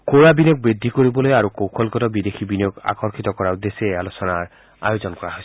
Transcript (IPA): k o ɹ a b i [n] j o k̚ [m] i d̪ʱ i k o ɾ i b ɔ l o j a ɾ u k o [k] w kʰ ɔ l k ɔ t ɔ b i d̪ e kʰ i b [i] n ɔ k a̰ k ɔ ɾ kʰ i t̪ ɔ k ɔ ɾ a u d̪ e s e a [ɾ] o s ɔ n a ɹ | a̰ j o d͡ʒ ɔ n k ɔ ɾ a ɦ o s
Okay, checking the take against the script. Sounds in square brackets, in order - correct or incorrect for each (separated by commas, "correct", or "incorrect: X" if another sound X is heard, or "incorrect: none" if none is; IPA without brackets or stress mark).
correct, incorrect: b, incorrect: none, correct, incorrect: l